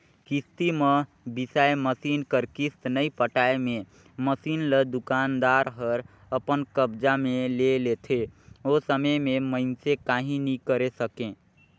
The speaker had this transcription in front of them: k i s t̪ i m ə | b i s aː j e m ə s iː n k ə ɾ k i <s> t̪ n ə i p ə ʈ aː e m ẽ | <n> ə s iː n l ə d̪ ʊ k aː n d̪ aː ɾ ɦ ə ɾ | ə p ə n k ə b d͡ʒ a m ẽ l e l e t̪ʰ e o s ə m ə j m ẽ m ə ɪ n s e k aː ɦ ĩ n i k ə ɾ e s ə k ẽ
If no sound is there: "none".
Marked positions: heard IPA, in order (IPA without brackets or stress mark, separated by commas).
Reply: s, m